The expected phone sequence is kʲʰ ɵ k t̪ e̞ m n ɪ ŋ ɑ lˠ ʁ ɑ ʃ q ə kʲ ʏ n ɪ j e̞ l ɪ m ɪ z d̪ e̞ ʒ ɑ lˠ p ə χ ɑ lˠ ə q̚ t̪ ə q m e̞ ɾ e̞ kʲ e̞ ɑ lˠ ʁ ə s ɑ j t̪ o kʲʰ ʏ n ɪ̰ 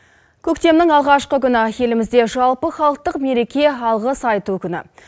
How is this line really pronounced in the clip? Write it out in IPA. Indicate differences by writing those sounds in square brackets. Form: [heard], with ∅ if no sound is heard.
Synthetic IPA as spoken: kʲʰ ɵ k t̪ e̞ m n ɪ ŋ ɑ lˠ ʁ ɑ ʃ q ə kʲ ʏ n ɪ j e̞ l ɪ m ɪ z d̪ e̞ ʒ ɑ lˠ p ə χ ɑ lˠ ə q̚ t̪ ə q m e̞ ɾ e̞ kʲ e̞ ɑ lˠ ʁ ə s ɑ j t̪ [u] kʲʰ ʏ n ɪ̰